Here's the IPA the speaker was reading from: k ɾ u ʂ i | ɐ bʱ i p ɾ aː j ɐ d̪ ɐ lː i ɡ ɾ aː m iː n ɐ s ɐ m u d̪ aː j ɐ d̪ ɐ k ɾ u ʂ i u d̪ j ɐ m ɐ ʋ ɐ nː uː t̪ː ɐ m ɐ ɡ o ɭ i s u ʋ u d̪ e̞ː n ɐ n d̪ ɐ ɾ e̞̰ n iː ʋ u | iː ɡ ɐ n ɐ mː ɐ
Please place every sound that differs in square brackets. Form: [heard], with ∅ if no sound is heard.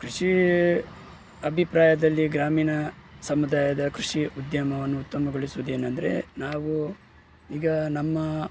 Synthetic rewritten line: k ɾ u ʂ i | ɐ bʱ i p ɾ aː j ɐ d̪ ɐ lː i ɡ ɾ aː m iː n ɐ s ɐ m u d̪ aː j ɐ d̪ ɐ k ɾ u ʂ i u d̪ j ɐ m ɐ ʋ ɐ nː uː t̪ː ɐ m ɐ ɡ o ɭ i s u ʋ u d̪ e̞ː n ɐ n d̪ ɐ ɾ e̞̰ n [aː] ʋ u | iː ɡ ɐ n ɐ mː ɐ